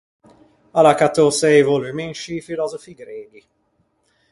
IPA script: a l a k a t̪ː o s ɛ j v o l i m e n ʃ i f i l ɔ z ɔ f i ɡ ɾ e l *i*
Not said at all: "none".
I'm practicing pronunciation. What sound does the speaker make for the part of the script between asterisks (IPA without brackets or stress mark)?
i